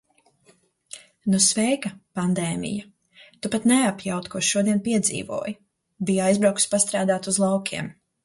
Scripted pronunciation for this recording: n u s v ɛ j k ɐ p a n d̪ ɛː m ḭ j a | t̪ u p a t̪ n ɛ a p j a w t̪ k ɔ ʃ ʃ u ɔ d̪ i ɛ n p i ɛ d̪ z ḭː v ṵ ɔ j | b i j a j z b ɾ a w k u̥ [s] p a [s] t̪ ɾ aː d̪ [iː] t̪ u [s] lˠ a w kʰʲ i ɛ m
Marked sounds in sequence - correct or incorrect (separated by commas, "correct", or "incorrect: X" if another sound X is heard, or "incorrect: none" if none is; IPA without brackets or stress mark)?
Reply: correct, correct, incorrect: aː, incorrect: z